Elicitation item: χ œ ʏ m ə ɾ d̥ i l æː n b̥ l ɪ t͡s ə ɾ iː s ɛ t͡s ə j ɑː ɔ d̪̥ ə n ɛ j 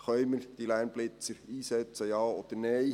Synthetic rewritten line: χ œ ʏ m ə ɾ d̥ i l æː n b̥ l ɪ t͡s ə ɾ iː s ɛ t͡s ə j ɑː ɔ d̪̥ ə n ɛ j